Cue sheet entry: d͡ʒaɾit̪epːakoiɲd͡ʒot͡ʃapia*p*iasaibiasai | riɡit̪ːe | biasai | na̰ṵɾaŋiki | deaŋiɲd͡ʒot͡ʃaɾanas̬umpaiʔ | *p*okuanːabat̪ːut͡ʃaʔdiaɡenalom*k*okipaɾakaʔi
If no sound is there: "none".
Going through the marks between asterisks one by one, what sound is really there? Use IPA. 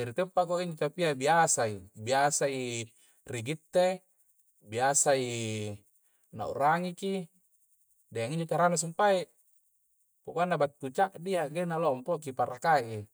b, p, p

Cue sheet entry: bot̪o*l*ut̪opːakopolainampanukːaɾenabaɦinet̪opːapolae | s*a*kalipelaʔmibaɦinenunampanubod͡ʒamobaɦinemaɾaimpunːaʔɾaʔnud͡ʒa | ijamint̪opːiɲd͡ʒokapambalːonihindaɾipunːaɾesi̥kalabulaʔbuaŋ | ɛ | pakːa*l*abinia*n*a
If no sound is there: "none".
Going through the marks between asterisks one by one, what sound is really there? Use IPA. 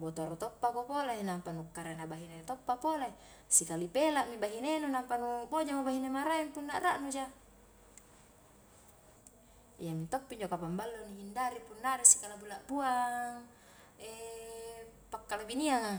ɾ, i, l, ŋ

